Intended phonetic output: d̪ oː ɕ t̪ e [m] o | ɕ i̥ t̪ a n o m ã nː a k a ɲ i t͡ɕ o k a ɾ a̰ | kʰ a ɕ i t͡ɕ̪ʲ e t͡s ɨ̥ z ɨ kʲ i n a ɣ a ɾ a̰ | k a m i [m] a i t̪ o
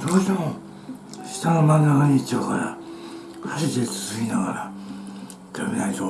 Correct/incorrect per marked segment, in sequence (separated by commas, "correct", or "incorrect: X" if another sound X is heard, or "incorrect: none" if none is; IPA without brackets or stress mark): correct, incorrect: n